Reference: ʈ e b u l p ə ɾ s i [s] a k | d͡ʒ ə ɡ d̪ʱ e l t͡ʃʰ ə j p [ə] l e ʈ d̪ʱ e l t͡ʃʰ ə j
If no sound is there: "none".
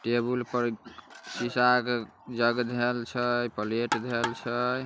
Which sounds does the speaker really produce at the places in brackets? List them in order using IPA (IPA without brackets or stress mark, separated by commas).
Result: s, ə